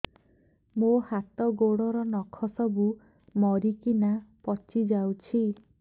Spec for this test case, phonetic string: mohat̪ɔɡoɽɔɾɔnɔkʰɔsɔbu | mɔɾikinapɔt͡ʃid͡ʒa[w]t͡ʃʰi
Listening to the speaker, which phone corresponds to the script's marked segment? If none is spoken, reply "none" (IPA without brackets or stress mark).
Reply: w